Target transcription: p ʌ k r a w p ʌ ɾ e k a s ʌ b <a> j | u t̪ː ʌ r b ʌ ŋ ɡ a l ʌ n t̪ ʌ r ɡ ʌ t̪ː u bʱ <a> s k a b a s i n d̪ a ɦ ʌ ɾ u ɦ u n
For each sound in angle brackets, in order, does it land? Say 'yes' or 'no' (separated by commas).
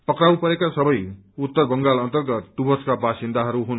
no, no